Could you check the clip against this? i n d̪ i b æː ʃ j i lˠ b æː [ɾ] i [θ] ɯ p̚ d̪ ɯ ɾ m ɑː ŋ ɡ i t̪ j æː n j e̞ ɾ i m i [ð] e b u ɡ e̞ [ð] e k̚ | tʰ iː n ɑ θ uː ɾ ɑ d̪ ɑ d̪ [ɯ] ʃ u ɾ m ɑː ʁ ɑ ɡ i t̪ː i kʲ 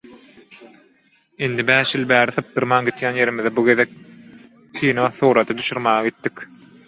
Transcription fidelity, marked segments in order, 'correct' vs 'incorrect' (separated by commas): correct, correct, correct, correct, incorrect